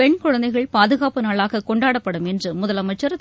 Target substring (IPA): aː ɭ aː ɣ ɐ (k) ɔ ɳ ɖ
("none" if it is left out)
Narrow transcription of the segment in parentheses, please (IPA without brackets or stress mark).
k